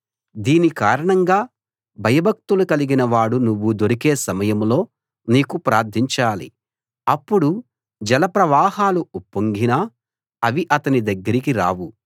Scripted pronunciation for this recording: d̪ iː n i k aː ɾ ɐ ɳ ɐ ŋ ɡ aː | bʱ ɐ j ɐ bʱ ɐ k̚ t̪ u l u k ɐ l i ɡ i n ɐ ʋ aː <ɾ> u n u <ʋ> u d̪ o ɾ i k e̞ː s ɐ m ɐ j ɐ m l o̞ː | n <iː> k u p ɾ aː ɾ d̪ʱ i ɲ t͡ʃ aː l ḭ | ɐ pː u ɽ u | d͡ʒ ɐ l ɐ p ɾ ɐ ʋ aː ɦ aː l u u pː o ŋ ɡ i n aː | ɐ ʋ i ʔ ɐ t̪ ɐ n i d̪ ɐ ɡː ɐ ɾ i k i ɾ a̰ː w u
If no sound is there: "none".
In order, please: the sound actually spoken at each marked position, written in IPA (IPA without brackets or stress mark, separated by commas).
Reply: ɽ, ʋː, iː